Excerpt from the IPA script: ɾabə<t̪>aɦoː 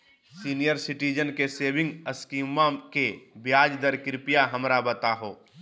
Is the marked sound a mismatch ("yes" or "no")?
no